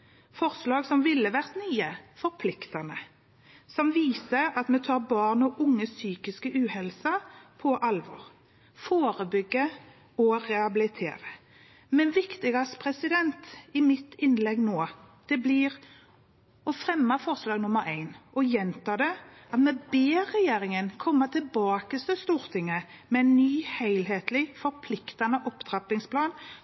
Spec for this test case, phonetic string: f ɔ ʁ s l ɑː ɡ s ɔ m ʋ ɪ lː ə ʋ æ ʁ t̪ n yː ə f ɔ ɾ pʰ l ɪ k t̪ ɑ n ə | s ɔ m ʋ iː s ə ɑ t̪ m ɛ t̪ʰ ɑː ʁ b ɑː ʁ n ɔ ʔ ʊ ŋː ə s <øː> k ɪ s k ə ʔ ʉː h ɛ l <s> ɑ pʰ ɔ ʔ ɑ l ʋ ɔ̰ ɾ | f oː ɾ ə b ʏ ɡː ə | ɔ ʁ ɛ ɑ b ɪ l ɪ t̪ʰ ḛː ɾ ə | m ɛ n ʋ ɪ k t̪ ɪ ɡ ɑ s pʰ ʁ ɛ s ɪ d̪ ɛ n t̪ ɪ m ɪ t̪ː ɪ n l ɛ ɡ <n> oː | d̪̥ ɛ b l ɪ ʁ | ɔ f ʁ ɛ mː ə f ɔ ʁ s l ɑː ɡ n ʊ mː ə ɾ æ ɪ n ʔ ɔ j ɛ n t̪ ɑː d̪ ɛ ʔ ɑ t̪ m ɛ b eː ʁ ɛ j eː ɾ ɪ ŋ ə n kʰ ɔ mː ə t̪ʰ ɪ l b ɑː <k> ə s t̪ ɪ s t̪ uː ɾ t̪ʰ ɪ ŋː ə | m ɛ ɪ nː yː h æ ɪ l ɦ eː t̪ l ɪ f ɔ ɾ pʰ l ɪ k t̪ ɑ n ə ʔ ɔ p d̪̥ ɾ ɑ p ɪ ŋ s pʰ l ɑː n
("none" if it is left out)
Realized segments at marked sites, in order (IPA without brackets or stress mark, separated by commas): yː, s, n, k